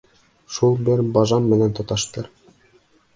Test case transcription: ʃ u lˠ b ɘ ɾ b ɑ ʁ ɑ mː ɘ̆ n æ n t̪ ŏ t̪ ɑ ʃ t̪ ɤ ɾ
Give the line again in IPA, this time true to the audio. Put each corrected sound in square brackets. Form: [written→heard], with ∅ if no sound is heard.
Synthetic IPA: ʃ u lˠ b ɘ ɾ b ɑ [ʁ→ʒ] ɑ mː ɘ̆ n æ n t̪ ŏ t̪ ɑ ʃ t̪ ɤ ɾ